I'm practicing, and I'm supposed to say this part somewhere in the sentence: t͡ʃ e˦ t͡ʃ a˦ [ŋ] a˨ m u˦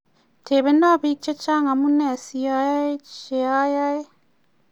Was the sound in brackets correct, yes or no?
yes